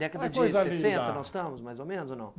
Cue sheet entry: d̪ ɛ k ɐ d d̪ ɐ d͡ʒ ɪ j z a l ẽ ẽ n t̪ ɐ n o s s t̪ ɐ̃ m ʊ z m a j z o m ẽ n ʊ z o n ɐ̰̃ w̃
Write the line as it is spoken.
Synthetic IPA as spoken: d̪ ɛ k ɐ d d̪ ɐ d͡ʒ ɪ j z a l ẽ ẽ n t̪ ɐ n ɔ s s t̪ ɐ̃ m ʊ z m a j z o m ẽ n ʊ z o n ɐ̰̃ w̃